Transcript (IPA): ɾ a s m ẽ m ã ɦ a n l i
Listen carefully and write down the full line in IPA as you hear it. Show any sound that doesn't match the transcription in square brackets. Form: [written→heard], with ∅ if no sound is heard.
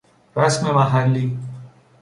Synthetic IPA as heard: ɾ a s m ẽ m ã ɦ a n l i

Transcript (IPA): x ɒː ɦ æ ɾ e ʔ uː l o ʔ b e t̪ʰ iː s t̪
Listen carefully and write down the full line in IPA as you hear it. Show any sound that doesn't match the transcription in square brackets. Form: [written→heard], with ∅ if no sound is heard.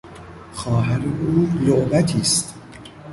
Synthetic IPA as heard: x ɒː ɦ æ ɾ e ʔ uː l o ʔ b [e→æ] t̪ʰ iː s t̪

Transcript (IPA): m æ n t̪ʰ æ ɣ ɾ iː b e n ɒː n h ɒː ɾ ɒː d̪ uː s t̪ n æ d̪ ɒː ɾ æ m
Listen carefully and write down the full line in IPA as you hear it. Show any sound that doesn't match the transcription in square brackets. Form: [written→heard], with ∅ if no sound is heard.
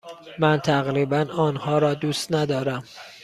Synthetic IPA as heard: m æ n t̪ʰ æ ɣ ɾ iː b [e→æ] n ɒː n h ɒː ɾ ɒː d̪ uː s t̪ n æ d̪ ɒː ɾ æ m

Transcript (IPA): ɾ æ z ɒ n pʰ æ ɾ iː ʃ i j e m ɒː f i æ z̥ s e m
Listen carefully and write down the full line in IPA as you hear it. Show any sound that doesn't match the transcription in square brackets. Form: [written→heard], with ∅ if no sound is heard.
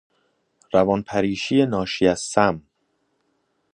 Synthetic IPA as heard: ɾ æ [z→v] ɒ n pʰ æ ɾ iː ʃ i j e [m→n] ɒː [f→ʃ] i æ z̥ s [e→æ] m

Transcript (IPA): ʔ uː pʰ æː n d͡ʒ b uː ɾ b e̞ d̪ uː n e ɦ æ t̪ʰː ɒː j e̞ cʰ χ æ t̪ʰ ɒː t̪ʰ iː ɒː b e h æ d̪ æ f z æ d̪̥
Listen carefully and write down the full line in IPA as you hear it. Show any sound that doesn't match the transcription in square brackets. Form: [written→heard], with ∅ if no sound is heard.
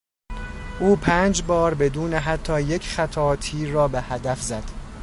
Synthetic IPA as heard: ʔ uː pʰ æː n d͡ʒ b [uː→ɒː] ɾ b e̞ d̪ uː n e ɦ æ t̪ʰː ɒː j e̞ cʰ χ æ t̪ʰ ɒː t̪ʰ iː ɒː b e h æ d̪ æ f z æ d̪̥

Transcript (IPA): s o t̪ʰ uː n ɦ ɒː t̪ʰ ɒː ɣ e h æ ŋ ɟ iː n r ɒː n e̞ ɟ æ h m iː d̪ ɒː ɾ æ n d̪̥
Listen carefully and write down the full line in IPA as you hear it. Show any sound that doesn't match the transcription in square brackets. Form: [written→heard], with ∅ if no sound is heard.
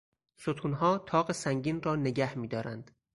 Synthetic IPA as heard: s o t̪ʰ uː n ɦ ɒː t̪ʰ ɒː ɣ e [h→s] æ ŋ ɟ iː n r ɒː n e̞ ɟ æ h m iː d̪ ɒː ɾ æ n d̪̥

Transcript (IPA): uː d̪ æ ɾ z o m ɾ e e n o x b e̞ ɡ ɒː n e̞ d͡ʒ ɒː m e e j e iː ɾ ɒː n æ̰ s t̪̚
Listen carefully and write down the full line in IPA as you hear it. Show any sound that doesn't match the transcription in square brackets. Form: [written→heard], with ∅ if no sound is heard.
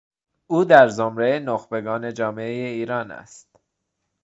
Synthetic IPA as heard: uː d̪ æ ɾ z o m ɾ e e n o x b e̞ ɡ ɒː n e̞ d͡ʒ ɒː m e e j e iː ɾ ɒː n æ̰ s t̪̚

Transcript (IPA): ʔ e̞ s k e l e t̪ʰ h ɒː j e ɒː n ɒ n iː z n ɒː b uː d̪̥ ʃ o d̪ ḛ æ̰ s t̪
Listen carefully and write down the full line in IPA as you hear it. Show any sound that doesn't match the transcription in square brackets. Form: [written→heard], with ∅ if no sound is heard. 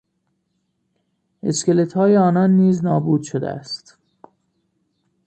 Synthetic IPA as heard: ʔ e̞ s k e l e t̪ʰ h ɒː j e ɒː n ɒ [n→nː] iː z n ɒː b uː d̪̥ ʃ o d̪ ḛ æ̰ s t̪

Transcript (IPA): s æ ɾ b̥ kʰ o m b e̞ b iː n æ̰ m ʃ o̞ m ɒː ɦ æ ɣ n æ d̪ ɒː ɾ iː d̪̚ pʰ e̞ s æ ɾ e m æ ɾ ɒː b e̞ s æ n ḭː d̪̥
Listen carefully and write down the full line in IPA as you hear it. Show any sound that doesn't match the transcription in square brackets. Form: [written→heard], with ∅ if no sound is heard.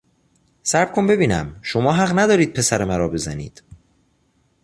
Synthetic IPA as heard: s æ ɾ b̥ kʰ o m b e̞ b iː n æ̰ m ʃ o̞ m ɒː ɦ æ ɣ n æ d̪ ɒː ɾ iː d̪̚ pʰ e̞ s æ ɾ e m æ ɾ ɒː b e̞ [s→z] æ n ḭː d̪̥

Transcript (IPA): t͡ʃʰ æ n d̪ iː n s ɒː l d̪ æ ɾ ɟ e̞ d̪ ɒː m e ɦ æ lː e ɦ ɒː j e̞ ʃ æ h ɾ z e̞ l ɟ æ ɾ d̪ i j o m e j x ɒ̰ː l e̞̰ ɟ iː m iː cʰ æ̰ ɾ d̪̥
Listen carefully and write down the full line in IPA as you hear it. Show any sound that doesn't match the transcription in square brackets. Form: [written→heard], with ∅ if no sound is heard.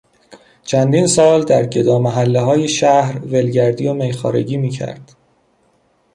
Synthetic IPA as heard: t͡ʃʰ æ n d̪ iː n s ɒː l d̪ æ ɾ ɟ e̞ d̪ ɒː m [e→æ] ɦ æ lː e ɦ ɒː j e̞ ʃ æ h ɾ [z→v] e̞ l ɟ æ ɾ d̪ i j o m e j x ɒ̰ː [l→ɾ] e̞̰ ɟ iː m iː cʰ æ̰ ɾ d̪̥

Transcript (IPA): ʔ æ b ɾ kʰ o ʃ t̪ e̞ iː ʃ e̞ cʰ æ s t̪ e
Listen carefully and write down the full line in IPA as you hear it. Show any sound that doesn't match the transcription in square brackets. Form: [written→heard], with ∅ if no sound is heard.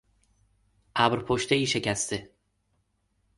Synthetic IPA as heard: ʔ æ b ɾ [kʰ→pʰ] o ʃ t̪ e̞ iː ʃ e̞ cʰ æ s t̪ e

